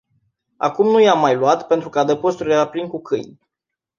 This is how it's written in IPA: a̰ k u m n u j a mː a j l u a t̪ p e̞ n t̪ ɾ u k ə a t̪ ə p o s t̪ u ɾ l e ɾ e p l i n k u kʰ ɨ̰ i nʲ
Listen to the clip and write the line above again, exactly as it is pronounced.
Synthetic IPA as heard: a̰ k u m n u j a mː a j l u a t̪ p e̞ n t̪ ɾ u k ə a d̪ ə p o s t̪ u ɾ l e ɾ a p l i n k u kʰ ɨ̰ j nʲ